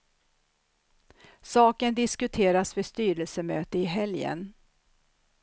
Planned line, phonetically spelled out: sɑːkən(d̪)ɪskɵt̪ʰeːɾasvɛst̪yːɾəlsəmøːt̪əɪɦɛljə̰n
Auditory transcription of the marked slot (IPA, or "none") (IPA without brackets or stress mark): d̪